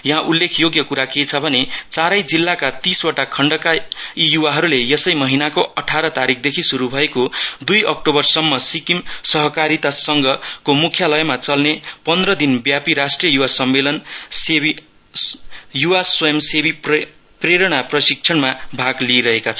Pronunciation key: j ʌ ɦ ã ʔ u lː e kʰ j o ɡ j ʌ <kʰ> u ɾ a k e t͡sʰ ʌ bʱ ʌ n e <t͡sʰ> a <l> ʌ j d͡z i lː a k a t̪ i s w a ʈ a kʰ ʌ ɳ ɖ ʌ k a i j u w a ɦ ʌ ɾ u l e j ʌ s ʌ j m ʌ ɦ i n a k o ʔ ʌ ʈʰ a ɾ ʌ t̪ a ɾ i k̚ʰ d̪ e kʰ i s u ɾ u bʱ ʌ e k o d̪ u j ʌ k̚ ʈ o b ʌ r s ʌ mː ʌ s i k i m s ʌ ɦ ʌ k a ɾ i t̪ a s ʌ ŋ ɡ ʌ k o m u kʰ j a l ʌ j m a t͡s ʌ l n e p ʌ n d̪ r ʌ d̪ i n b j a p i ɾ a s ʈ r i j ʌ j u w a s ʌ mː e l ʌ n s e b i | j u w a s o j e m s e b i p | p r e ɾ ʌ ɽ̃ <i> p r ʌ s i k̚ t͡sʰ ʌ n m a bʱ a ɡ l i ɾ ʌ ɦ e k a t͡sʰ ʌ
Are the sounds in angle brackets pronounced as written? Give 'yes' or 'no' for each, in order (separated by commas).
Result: no, no, no, no